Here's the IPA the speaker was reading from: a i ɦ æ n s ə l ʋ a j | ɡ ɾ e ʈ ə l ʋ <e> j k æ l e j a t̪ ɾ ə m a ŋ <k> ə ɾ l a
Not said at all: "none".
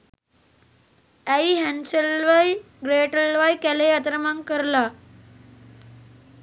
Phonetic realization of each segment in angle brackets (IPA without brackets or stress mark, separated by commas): a, k